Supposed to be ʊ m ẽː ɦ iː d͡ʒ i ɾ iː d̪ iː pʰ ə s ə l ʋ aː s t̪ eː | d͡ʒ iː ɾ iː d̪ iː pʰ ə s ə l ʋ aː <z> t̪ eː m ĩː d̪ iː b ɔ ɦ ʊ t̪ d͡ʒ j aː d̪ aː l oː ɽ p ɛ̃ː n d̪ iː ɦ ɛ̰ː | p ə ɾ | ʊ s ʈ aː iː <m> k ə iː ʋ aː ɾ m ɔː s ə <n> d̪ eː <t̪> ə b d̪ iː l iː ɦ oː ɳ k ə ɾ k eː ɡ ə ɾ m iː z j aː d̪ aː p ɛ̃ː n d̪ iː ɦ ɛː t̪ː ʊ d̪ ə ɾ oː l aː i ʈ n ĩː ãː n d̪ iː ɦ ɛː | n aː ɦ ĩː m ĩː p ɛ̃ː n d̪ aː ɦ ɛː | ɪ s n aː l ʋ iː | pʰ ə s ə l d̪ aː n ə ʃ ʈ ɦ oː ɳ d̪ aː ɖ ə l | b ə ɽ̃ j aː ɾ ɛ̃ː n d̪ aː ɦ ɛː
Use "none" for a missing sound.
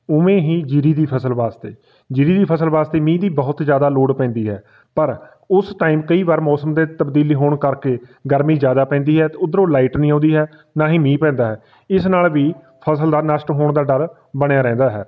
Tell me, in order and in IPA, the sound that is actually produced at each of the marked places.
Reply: s, m, m, t̪

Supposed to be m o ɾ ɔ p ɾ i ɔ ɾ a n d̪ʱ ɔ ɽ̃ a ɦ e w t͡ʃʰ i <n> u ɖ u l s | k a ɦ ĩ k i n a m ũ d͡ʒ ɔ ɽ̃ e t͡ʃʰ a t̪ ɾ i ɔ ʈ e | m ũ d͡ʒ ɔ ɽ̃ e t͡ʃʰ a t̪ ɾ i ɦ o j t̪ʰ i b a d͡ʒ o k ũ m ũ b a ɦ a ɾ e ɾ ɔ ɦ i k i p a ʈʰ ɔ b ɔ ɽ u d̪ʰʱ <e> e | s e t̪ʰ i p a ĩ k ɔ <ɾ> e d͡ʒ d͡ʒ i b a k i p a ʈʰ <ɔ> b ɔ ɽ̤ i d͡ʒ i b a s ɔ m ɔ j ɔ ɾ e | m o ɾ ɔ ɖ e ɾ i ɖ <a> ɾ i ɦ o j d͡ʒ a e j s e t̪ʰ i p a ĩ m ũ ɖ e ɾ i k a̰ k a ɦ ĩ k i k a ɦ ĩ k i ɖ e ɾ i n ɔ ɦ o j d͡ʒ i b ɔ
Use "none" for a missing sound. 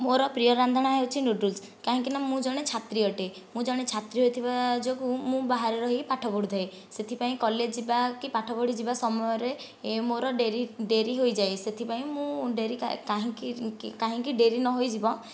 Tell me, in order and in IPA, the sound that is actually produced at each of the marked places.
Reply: n, a, l, ɔ, e

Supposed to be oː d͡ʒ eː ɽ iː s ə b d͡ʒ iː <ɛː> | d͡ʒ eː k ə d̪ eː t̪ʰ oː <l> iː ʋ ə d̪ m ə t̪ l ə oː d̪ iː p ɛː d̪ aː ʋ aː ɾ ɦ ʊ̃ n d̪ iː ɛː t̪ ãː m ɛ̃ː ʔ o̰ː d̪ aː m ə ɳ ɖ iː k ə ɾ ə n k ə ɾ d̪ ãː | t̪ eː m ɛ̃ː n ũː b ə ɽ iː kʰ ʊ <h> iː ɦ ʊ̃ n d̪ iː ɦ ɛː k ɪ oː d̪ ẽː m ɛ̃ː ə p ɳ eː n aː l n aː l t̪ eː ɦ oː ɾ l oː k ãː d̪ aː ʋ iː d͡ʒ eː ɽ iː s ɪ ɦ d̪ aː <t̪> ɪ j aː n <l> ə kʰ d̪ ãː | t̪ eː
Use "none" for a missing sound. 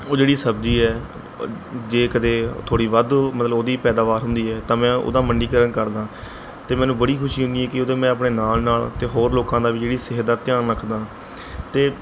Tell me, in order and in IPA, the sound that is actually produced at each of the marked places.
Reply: ɛː, ɽ, ʃ, t̪, ɾ

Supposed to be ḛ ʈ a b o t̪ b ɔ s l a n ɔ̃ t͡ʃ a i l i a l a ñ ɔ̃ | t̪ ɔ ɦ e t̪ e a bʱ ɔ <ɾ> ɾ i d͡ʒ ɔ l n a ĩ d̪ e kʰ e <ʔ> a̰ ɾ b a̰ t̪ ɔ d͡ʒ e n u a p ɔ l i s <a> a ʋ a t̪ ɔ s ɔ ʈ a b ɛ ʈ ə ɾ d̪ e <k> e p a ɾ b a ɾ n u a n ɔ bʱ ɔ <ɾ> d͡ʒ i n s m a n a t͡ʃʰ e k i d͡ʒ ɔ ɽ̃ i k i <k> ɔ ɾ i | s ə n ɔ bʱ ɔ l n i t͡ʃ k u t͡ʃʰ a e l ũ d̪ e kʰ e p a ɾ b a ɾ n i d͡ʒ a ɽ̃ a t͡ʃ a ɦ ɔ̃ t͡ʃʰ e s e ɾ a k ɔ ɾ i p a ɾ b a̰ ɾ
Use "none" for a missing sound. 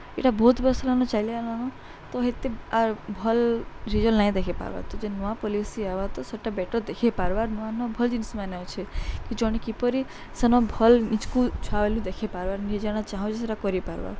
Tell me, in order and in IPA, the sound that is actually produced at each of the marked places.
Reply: l, p, i, kʰ, l, p

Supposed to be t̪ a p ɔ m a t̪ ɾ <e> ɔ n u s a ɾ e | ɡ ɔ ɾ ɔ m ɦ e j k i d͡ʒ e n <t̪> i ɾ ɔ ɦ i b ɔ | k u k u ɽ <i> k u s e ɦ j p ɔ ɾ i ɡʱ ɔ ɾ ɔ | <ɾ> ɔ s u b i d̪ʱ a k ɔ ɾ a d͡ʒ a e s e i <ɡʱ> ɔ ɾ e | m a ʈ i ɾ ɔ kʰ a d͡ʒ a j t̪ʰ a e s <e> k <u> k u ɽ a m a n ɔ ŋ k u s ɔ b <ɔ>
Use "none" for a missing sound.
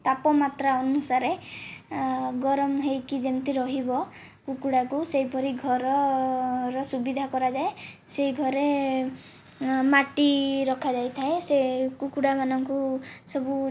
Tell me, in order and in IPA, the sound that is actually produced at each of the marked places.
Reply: a, t̪, a, ɾ, ɡʱ, e, u, u

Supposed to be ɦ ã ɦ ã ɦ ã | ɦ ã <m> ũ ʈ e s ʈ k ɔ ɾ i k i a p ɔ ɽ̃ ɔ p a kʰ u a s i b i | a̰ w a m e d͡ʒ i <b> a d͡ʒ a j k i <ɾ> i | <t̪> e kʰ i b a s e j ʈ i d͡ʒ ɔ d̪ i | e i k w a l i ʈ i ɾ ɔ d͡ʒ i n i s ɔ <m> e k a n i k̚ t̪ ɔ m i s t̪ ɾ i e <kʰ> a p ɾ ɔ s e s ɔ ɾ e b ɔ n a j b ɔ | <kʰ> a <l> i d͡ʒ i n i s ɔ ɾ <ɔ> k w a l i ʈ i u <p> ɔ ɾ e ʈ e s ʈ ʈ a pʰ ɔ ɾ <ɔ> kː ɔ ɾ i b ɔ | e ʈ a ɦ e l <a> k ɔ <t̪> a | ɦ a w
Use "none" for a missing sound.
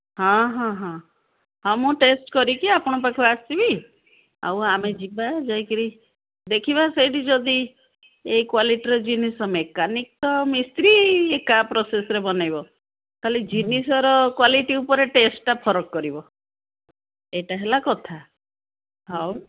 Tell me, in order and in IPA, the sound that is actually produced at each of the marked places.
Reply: m, b, ɾ, d̪, m, k, k, l, ɔ, p, ɔ, a, t̪ʰ

